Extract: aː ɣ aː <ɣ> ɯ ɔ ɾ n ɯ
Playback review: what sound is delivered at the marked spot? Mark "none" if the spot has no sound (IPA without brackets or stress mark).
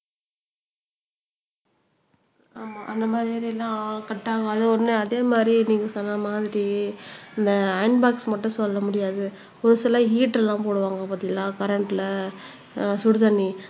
ð